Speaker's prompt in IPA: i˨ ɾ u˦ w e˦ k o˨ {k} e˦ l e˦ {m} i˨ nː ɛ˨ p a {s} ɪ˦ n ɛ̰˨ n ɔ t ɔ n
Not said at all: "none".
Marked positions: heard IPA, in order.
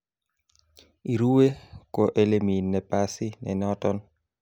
ʔ, m, s

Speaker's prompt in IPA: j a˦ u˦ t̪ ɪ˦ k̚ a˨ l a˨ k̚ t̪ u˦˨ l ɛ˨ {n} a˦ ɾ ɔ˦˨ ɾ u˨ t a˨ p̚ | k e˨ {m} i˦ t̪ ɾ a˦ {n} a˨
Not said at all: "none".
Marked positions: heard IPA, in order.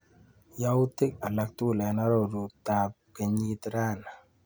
n, ɲ, n

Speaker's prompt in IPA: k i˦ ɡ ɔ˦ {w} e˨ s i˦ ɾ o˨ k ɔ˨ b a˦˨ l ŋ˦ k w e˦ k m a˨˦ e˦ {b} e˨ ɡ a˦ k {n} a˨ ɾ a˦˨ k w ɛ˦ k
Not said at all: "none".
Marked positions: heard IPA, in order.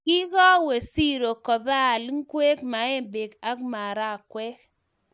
w, b, m

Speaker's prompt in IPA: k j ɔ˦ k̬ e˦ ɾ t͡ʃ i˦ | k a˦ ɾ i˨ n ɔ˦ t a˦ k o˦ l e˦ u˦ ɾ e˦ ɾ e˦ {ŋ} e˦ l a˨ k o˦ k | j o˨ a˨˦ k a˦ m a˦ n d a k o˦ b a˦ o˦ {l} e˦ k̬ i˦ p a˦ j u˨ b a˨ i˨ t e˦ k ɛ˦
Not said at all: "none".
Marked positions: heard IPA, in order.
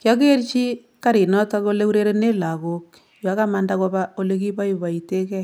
n, l

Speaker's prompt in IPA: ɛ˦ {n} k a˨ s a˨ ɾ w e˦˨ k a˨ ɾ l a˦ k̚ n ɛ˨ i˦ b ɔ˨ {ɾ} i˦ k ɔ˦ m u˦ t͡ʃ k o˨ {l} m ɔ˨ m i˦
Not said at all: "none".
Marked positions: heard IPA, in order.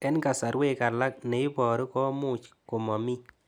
n, ɾ, none

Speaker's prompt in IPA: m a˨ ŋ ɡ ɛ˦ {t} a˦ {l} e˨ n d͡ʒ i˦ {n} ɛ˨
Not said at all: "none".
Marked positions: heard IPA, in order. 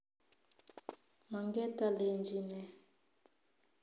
t, l, n

